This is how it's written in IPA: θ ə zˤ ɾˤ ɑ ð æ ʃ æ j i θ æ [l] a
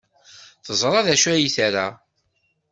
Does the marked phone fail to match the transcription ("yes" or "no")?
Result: yes